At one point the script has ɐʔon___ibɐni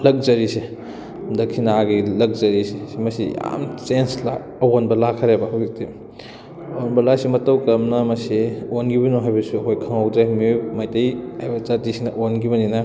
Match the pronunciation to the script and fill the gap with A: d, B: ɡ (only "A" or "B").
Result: B